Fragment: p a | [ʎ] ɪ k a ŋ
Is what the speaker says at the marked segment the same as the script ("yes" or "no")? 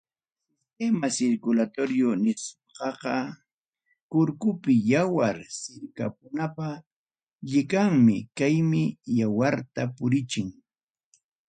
yes